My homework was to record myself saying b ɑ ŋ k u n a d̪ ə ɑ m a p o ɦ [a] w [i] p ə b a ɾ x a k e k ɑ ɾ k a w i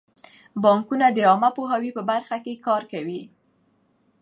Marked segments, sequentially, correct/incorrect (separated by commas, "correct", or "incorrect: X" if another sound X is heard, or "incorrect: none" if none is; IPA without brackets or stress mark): correct, correct